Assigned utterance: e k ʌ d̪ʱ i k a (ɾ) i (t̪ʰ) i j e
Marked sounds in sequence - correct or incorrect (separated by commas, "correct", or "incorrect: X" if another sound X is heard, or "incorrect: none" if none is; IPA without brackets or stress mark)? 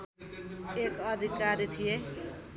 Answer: correct, correct